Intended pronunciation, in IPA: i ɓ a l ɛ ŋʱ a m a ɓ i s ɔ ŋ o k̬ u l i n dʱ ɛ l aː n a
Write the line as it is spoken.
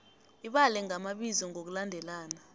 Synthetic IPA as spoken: i ɓ a l ɛ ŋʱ a m a ɓ i z ɔ ŋ o k̬ u l a n dʱ ɛ l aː n a